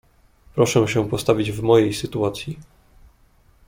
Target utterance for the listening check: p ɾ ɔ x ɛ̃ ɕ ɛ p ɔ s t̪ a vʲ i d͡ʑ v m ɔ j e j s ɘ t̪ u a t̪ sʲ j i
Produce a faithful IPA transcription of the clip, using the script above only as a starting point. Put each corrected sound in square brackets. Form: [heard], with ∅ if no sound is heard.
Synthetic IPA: p ɾ ɔ [ʂ] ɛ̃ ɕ ɛ p ɔ s t̪ a vʲ i d͡ʑ v m ɔ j e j s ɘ t̪ u a t̪ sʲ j i